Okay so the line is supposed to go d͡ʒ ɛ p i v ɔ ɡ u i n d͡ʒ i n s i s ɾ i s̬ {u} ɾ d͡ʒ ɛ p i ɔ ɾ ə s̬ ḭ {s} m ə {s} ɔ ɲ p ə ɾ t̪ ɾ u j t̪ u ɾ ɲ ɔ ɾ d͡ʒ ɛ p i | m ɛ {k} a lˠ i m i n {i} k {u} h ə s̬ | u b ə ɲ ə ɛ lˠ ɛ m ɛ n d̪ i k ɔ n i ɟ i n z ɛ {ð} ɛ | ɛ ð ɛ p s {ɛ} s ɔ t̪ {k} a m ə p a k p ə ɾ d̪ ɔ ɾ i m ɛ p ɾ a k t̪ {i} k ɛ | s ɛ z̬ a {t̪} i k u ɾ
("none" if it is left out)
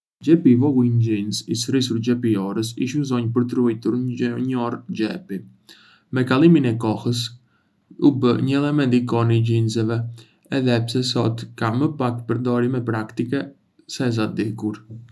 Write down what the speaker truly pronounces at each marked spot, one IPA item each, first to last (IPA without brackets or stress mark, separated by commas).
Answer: u, ʃ, z, k, ɛ, ɔ, v, ɛ, k, i, d̪